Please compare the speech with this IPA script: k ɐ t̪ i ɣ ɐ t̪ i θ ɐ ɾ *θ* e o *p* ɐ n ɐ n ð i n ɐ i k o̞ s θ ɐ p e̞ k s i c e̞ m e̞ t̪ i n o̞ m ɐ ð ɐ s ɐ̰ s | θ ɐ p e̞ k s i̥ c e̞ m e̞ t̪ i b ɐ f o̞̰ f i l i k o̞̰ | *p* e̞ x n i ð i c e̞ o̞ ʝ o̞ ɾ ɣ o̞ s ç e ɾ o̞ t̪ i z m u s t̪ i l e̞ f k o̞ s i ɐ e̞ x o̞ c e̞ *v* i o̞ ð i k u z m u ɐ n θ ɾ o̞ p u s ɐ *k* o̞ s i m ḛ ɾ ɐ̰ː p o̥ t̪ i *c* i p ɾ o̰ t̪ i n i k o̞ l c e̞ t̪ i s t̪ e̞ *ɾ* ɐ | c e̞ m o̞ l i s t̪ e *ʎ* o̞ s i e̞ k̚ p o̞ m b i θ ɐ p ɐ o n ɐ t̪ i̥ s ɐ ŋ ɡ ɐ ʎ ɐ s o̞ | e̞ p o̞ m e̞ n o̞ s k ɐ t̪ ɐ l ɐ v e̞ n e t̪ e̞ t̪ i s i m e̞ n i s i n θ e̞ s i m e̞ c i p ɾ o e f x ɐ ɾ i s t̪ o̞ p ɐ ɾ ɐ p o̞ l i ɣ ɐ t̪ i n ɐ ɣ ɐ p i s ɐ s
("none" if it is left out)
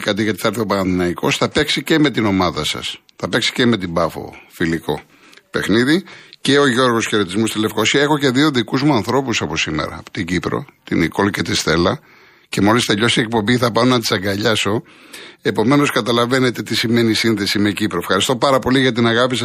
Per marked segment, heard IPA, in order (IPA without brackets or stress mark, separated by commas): θ, p, p, ð, p, ɟ, l, ʎ